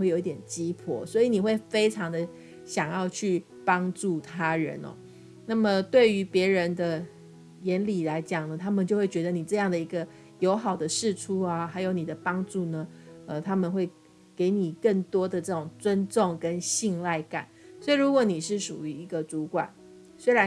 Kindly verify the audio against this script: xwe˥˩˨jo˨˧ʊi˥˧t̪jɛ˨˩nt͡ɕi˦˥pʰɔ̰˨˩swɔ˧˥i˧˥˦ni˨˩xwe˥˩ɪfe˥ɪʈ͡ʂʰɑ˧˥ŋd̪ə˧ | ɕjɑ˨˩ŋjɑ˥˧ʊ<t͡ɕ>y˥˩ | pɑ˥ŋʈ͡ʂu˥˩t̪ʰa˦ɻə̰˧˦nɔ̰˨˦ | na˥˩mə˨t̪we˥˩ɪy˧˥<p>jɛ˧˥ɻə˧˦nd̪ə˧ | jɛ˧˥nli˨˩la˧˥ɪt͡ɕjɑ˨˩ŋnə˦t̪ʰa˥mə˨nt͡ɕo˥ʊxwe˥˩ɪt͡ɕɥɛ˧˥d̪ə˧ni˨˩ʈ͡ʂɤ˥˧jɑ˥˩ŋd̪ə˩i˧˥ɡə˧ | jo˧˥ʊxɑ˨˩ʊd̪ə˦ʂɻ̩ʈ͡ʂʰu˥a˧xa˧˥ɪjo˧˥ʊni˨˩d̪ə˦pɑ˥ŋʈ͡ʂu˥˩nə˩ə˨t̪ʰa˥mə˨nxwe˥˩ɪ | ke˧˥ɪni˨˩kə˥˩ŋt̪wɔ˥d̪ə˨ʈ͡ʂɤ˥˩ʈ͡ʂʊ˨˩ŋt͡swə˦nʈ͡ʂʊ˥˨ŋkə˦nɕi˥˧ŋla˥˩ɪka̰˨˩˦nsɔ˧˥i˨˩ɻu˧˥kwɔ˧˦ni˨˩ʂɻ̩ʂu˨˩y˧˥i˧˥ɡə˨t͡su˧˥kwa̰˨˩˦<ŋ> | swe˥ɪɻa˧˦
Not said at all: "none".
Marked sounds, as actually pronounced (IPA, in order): t͡ɕʰ, p, n

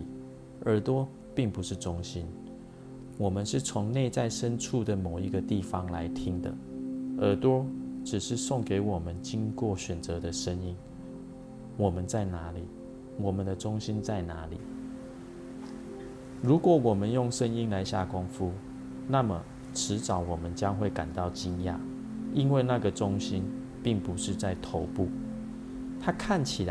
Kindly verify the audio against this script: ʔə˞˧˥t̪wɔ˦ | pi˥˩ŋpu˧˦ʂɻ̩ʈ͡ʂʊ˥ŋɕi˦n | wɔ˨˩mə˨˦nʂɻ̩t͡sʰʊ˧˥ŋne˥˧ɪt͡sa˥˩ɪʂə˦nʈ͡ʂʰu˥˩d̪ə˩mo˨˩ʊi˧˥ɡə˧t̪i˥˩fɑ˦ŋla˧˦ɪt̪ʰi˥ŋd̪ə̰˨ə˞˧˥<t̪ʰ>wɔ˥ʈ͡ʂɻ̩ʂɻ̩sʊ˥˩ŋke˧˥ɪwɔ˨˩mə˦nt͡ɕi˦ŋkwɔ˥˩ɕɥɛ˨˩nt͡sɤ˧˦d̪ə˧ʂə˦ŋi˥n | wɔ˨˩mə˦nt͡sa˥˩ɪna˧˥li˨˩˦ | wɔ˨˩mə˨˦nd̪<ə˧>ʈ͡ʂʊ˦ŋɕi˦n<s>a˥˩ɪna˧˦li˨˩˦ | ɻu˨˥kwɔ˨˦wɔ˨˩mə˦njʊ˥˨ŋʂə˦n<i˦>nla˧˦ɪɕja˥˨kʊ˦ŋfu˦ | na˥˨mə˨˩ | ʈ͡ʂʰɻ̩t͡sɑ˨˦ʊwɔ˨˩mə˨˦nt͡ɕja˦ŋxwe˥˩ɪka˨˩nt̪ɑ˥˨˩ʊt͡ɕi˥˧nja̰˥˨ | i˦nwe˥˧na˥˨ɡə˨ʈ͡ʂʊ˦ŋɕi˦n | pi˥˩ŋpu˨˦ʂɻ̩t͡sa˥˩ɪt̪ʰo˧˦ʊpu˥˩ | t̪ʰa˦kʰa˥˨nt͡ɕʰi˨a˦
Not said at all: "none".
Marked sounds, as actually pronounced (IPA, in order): t̪, ə˧, t͡s, i˦

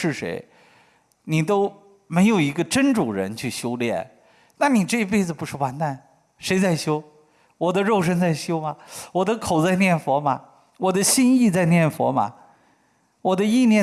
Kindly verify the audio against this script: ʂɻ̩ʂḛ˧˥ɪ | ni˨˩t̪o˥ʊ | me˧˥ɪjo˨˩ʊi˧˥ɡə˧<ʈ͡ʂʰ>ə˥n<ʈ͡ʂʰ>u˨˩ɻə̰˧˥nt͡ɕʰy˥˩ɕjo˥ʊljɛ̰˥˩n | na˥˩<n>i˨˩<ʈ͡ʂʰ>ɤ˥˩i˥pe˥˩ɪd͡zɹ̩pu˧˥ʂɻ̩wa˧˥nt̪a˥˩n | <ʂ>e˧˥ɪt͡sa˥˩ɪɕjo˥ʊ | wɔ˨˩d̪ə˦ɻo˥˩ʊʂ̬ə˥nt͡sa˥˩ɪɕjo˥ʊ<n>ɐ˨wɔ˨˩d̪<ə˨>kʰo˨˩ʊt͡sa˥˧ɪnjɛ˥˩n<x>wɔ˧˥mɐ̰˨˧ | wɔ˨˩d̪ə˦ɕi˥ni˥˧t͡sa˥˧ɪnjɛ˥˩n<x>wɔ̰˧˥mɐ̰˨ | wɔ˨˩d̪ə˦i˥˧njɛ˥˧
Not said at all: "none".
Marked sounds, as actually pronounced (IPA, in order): ʈ͡ʂ, ʈ͡ʂ, n, ʈ͡ʂ, ʂ, m, ə˦, f, f

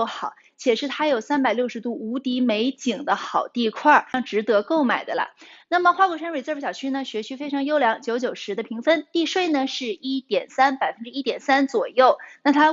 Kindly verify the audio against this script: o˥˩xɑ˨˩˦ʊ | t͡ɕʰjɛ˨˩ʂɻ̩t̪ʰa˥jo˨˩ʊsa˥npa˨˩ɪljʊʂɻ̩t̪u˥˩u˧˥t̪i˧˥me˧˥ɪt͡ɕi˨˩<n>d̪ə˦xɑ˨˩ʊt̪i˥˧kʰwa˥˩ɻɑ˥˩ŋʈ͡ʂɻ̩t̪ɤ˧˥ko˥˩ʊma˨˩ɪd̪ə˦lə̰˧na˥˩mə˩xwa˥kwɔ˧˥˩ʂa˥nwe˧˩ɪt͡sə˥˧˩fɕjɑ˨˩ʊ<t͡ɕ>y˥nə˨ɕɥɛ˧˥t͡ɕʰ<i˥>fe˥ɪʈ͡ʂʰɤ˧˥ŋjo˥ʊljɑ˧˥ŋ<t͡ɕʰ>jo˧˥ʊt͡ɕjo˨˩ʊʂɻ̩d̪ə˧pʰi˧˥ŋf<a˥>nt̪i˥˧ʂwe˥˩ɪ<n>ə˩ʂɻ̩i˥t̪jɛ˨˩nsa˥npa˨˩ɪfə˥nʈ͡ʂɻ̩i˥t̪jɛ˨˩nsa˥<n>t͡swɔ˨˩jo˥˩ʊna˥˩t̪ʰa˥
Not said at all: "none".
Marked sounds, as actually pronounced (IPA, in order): ŋ, t͡ɕʰ, y˥, t͡ɕ, ə˥, n, n

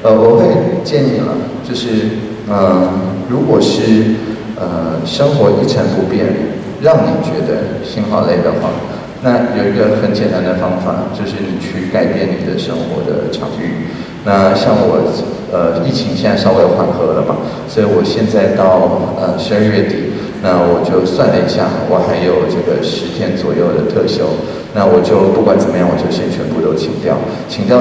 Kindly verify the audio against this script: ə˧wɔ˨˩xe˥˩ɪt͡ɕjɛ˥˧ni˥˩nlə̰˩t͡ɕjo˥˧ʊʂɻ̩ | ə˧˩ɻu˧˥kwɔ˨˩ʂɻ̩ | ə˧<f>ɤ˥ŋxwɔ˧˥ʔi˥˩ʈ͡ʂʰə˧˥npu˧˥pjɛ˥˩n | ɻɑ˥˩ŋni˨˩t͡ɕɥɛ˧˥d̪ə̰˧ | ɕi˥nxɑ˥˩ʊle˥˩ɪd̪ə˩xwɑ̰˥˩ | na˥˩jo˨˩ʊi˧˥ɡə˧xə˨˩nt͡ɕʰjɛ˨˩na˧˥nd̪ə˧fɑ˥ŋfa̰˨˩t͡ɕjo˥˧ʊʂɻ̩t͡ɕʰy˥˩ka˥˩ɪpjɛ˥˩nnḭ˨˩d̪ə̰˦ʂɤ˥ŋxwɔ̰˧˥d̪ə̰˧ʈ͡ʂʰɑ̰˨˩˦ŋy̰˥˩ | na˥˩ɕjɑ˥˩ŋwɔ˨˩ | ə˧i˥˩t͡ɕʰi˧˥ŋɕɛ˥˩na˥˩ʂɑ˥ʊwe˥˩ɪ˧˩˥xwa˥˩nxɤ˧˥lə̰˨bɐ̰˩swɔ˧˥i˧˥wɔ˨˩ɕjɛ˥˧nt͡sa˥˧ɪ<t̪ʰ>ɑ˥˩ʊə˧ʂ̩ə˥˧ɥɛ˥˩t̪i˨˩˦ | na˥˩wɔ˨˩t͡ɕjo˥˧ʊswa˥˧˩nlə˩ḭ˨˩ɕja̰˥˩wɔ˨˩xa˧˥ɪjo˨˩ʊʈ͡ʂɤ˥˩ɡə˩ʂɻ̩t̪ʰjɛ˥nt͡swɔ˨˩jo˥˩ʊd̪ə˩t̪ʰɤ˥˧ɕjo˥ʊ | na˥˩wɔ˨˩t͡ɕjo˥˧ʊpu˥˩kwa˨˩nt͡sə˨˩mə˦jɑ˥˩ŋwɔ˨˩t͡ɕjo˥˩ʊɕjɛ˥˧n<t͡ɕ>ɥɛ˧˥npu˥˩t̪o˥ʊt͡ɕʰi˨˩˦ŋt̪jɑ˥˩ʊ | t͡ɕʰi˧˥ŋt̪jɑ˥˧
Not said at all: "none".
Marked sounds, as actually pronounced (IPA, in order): ʂ, t̪, t͡ɕʰ

